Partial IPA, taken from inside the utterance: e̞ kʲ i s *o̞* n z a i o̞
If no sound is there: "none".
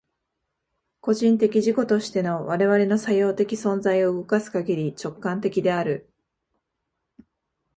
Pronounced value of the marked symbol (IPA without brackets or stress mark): õ̞